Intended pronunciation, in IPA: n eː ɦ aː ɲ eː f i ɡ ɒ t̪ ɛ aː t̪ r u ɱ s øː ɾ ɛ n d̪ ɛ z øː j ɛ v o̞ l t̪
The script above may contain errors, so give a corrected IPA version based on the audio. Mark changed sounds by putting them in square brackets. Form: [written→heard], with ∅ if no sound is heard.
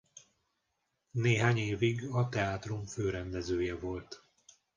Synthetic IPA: n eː ɦ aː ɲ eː [f→v] i ɡ ɒ t̪ ɛ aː t̪ r u ɱ [s→f] øː ɾ ɛ n d̪ ɛ z øː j ɛ v o̞ l t̪